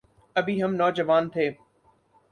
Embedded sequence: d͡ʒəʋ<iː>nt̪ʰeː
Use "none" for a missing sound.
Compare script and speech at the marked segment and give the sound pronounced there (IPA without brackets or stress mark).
aː